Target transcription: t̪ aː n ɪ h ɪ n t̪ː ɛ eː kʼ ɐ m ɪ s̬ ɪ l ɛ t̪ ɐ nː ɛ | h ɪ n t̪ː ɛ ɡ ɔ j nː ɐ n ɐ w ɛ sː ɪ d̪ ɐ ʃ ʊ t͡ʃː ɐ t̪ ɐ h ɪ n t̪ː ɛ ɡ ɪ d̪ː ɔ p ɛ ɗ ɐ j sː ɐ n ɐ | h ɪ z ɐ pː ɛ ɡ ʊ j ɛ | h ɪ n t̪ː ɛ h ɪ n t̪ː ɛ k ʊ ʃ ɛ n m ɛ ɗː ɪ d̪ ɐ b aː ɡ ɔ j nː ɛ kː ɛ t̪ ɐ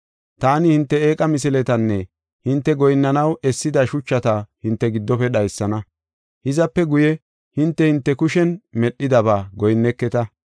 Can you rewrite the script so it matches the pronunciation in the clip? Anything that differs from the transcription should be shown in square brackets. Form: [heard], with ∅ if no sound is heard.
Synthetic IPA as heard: t̪ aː n ɪ h ɪ n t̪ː ɛ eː kʼ ɐ m ɪ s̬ ɪ l ɛ t̪ ɐ nː ɛ | h ɪ n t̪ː ɛ ɡ ɔ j nː ɐ n ɐ w ɛ sː ɪ d̪ ɐ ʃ ʊ t͡ʃː ɐ t̪ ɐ h ɪ n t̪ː ɛ ɡ ɪ d̪ː ɔ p ɛ ɗ ɐ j sː ɐ n ɐ | h ɪ z ɐ pː ɛ ɡ ʊ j ɛ | h ɪ n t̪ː ɛ h ɪ n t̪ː ɛ k ʊ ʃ ɛ n m ɛ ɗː ɪ d̪ ɐ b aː ɡ ɔ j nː ɛ kː ɛ t̪ ɐ